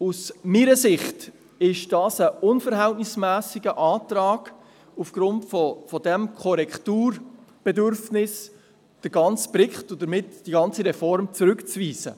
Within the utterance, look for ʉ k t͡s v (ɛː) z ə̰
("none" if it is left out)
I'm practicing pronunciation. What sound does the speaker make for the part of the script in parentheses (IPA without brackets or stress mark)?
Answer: iː